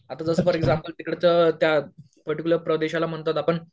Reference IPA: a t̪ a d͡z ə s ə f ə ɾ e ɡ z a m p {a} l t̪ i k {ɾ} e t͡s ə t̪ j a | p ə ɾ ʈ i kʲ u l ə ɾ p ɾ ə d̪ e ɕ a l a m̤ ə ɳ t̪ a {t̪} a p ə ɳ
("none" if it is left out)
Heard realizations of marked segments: ə, ɽ, t̪

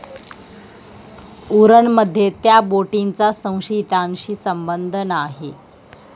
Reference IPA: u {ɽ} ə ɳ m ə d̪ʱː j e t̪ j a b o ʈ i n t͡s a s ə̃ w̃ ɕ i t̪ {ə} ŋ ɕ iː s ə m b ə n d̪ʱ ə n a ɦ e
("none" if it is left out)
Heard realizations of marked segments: ɾ, a

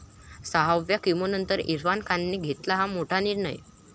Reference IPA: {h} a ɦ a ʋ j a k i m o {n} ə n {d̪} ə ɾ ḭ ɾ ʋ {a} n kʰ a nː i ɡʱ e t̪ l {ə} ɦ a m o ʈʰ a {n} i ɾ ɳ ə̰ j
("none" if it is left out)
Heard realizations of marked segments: s, n, t̪, a, a, n

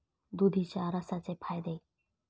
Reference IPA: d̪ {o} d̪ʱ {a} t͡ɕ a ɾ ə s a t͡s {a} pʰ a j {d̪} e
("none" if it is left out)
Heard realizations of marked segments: u, i, e, d̪

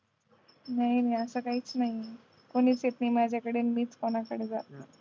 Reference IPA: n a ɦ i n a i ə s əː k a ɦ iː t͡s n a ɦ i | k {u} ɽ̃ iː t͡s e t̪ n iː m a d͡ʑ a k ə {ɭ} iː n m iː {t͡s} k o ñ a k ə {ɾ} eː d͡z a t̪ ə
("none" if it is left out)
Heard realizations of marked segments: o, ɽ, t͡s, ɽ

